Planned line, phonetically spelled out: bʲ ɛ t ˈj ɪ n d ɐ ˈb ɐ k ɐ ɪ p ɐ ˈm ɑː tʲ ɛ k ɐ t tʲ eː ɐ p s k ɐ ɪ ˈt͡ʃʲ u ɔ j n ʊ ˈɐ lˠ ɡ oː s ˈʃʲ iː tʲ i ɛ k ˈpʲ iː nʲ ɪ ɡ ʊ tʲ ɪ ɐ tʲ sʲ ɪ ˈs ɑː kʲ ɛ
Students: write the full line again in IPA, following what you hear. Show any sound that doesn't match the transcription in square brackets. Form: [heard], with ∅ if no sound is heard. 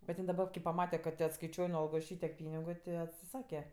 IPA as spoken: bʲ ɛ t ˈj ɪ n d ɐ ˈb ɐ k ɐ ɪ p ɐ ˈm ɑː tʲ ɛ k ɐ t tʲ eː ɐ [t] s k ɐ ɪ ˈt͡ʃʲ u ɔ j n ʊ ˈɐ lˠ ɡ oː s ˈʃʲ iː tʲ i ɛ k ˈpʲ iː nʲ ɪ ɡ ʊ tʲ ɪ ɐ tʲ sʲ ɪ ˈs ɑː kʲ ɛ